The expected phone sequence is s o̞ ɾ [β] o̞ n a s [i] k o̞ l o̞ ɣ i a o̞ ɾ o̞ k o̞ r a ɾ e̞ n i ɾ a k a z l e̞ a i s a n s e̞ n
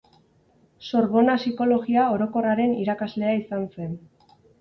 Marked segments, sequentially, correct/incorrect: correct, correct

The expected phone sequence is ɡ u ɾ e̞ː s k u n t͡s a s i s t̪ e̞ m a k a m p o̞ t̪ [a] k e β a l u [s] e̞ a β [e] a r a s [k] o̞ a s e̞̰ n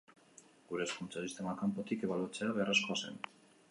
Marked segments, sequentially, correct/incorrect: incorrect: i, incorrect: t͡s, correct, correct

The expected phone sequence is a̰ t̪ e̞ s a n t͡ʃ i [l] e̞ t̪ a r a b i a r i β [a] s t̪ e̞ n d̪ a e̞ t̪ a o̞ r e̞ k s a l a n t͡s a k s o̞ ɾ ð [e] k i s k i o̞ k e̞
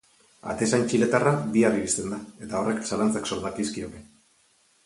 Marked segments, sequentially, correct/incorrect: correct, incorrect: i, incorrect: a

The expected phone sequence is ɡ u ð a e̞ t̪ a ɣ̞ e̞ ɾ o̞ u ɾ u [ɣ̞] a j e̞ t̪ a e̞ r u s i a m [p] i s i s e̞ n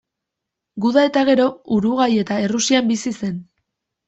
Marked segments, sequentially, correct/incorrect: correct, incorrect: b

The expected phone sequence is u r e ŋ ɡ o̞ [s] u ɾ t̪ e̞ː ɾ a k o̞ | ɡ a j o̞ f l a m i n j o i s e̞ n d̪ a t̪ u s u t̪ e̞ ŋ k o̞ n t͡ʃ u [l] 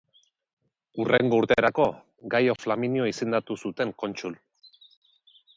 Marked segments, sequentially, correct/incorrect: incorrect: none, correct

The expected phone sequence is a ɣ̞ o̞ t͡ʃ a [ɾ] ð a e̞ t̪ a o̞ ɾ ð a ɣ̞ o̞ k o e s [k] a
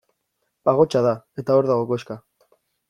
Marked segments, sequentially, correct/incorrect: incorrect: none, correct

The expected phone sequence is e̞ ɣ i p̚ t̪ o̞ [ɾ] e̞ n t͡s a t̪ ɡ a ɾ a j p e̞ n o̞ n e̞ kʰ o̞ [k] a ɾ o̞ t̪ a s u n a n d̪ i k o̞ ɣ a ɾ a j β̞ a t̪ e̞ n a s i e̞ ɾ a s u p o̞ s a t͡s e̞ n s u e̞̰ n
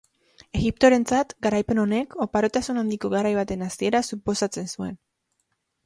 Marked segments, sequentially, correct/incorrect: correct, incorrect: p

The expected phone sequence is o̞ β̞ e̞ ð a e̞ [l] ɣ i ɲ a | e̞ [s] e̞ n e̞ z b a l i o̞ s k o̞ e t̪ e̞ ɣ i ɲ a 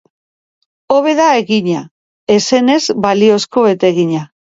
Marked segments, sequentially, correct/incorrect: incorrect: none, correct

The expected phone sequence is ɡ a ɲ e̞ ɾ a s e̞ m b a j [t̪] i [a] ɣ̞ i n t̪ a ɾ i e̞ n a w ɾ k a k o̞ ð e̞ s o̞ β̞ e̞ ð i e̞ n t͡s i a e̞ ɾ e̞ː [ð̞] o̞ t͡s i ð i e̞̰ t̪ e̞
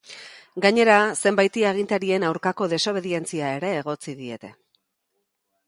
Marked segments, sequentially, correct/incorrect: correct, correct, incorrect: ɣ̞

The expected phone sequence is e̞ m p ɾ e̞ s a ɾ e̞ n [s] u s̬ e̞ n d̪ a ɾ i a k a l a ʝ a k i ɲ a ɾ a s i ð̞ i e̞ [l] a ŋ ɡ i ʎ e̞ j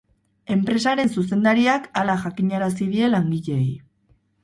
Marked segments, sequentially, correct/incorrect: correct, correct

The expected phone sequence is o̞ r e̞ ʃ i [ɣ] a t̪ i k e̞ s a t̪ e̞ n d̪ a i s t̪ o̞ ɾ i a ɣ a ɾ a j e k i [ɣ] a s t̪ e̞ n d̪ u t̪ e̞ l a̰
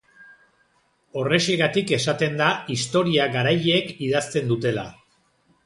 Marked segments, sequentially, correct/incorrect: correct, incorrect: ð

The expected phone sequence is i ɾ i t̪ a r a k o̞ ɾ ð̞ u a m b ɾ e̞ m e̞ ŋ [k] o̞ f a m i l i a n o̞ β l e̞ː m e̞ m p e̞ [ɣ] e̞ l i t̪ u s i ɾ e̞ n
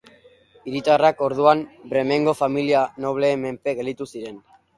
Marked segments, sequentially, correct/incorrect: incorrect: ɡ, correct

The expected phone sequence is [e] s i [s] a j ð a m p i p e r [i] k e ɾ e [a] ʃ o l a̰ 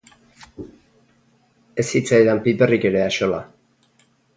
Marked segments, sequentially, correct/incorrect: correct, incorrect: t͡s, correct, correct

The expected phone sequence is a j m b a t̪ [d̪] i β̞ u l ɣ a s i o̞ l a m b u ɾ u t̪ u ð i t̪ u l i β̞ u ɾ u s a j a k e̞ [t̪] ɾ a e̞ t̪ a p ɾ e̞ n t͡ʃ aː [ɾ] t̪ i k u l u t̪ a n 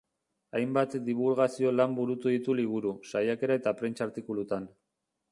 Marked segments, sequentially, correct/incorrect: correct, incorrect: none, correct

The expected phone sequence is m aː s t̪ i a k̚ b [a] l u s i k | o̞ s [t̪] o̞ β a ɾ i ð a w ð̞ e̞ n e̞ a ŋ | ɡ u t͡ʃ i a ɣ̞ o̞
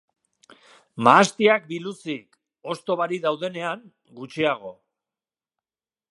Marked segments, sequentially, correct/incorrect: incorrect: i, correct

